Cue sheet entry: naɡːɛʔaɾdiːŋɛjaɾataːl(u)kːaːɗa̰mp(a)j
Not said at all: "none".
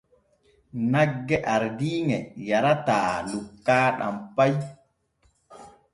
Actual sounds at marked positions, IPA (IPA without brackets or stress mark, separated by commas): u, a